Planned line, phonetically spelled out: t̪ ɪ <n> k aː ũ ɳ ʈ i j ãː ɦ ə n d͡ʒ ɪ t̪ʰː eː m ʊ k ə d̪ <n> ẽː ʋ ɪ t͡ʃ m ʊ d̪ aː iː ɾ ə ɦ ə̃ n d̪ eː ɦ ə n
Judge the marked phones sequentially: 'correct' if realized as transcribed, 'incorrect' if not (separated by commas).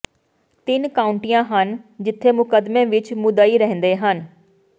correct, incorrect